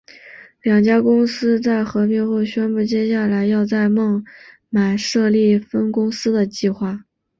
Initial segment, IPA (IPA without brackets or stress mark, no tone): l